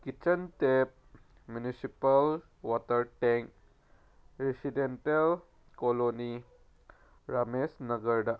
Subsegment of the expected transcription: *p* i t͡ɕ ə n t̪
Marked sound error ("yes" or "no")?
yes